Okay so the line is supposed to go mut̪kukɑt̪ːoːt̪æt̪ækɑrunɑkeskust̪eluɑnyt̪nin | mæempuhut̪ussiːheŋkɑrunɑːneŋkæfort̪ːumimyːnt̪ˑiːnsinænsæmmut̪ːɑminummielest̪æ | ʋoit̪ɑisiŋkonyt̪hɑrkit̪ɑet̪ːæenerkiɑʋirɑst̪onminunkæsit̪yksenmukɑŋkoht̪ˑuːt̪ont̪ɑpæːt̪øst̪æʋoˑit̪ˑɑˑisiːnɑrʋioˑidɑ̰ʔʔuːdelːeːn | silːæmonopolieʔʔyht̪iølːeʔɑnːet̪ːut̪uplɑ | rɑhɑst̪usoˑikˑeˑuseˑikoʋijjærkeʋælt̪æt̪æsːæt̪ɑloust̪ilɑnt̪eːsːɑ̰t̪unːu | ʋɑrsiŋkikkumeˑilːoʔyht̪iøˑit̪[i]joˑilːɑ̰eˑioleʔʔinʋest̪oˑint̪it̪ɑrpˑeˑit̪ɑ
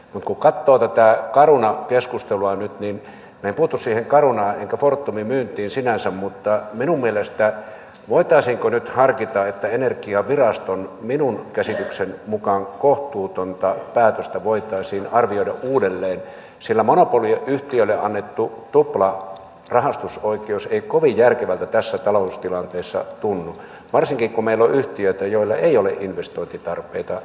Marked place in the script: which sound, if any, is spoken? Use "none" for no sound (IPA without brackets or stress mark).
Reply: æ